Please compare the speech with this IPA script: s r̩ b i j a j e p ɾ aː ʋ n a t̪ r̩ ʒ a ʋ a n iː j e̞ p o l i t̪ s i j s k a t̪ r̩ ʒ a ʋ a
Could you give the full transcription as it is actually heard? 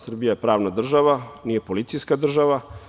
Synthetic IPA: s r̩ b i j a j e p ɾ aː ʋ n a d̪ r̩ ʒ a ʋ a n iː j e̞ p o l i t̪ s i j s k a d̪ r̩ ʒ a ʋ a